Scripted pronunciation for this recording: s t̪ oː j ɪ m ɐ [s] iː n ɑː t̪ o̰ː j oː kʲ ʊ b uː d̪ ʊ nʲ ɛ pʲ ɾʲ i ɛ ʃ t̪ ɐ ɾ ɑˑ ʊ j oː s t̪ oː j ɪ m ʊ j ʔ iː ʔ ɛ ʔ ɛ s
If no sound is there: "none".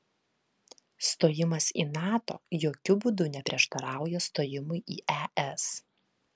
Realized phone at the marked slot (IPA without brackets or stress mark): s